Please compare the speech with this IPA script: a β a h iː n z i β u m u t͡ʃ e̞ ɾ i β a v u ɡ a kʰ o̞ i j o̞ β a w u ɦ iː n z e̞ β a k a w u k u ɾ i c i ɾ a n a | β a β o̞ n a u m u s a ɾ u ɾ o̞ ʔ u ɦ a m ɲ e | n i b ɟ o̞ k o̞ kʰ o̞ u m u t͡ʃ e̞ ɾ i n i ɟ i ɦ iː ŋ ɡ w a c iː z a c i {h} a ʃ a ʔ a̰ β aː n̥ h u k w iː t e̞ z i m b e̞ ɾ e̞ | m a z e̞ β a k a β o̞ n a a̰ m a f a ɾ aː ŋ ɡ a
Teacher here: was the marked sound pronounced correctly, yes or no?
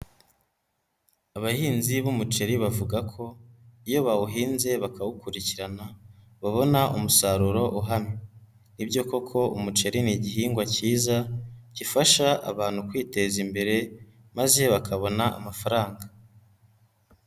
no